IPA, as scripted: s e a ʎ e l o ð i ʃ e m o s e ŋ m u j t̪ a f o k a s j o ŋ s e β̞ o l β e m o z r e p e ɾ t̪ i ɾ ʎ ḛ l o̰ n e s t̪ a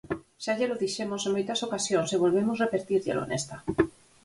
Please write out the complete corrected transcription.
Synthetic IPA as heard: s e a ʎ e l o ð i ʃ e m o s e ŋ m o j t̪ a s o k a s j o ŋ s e β̞ o l β e m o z r e p e ɾ t̪ i ɾ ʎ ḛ l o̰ n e s t̪ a